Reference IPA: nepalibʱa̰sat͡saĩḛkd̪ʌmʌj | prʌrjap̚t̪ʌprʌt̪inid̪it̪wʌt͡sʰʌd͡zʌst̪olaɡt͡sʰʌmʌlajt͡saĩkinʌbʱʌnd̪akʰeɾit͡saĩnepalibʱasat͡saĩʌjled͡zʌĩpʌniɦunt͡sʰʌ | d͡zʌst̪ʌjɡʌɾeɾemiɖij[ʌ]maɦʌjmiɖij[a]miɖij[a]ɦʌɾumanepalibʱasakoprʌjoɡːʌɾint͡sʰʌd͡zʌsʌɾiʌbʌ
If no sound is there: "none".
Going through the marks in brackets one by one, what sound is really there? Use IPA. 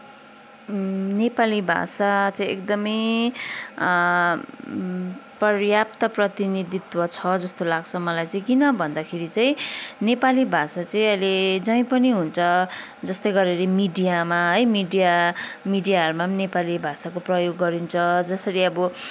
a, a, a

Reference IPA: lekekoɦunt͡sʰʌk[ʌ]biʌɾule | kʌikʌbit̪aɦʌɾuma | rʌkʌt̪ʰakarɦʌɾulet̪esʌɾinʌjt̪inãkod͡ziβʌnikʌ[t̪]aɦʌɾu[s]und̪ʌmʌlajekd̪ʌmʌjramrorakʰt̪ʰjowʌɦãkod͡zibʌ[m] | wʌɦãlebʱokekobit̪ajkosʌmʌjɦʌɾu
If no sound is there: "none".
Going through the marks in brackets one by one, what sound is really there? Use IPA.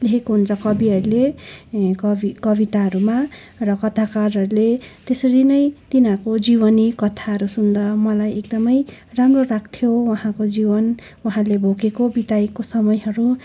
ʌ, t̪ʰ, s, n

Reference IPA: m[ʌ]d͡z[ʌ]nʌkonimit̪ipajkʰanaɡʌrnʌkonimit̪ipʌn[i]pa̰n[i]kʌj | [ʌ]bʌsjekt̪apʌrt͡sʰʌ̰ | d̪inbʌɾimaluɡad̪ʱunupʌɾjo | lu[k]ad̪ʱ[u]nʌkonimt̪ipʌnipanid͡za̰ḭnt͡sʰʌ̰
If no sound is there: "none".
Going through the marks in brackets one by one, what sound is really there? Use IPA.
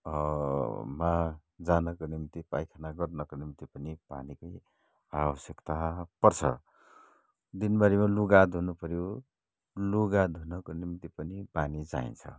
a, a, i, i, a, ɡ, u

